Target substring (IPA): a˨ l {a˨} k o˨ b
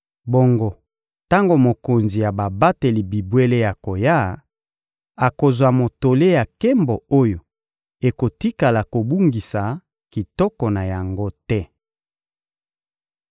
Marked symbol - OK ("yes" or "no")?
yes